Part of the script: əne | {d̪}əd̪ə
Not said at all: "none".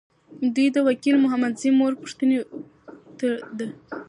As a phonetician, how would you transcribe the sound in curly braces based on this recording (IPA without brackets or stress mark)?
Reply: t̪